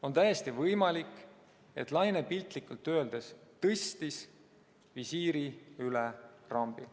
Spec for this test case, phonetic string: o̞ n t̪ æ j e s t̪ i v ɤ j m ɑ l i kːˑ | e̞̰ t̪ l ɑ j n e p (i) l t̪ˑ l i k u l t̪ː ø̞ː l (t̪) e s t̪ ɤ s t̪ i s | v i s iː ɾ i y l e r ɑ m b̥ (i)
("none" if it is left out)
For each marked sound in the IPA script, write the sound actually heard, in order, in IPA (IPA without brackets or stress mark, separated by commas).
i, d̪, i